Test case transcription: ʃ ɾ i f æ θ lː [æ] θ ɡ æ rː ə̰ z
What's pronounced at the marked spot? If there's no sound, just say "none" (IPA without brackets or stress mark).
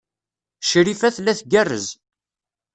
æ